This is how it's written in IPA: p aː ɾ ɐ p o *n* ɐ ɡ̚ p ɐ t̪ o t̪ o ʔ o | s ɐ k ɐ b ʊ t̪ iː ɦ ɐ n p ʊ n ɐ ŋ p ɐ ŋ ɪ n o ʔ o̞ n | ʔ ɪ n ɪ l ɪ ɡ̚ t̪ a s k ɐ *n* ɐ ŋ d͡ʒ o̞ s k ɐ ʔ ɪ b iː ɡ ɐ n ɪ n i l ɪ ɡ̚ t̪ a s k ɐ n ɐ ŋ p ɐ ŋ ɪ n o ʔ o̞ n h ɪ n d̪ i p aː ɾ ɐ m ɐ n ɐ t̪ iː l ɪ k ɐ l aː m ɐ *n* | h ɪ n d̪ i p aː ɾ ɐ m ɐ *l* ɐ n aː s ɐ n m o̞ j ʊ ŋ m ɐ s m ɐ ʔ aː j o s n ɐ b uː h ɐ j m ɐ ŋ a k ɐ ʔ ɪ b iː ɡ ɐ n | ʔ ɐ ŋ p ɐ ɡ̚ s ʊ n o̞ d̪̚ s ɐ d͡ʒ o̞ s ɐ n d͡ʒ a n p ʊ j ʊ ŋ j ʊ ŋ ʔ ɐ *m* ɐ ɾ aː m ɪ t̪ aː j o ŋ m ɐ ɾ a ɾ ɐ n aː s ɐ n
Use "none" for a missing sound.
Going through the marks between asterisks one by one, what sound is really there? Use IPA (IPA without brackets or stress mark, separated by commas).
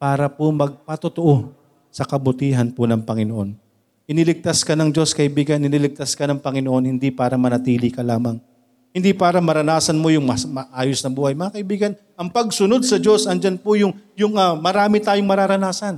m, n, ŋ, ɾ, m